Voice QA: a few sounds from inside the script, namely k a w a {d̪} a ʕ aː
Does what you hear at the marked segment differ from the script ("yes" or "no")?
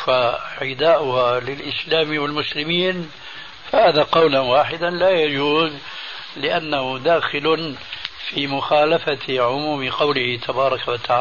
yes